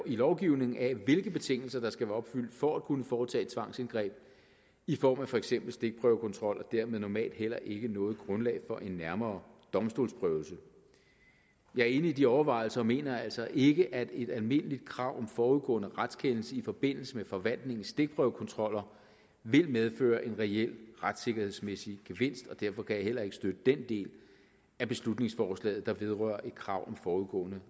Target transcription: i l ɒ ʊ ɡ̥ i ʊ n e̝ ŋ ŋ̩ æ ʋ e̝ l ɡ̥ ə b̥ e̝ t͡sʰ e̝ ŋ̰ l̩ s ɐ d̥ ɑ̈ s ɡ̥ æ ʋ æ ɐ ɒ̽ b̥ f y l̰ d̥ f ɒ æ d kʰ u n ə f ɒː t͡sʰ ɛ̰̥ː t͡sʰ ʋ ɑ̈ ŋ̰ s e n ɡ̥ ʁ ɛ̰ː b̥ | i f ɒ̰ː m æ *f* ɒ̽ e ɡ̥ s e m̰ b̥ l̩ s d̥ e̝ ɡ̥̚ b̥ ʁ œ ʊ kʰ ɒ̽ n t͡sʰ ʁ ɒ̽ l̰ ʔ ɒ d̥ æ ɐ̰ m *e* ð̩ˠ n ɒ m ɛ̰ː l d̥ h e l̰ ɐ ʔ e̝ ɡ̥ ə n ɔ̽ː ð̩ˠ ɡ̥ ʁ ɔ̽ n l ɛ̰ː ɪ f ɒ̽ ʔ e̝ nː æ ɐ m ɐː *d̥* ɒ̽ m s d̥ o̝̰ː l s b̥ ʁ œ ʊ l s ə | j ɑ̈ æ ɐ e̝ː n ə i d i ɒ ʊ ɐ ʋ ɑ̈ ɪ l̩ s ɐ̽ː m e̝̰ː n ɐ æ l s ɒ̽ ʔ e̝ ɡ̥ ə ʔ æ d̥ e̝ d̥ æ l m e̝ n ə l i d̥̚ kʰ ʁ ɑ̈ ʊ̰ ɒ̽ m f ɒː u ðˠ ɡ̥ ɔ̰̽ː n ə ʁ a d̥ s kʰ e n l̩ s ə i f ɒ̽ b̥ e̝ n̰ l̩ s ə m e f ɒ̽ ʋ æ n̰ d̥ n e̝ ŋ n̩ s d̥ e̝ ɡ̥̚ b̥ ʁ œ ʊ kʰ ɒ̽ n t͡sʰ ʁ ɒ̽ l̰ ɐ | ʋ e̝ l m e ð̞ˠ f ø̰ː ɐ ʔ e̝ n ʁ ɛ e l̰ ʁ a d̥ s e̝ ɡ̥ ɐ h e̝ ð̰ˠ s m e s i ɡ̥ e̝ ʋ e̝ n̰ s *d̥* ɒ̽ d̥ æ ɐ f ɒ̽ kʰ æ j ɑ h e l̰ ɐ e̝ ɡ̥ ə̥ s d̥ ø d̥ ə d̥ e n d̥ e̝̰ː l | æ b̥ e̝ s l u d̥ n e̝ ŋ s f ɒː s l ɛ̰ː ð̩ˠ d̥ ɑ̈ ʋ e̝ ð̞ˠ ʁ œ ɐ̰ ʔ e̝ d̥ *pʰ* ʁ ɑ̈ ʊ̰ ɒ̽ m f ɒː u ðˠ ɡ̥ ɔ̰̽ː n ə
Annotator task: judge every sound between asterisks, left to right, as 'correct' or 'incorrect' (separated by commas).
correct, correct, correct, correct, incorrect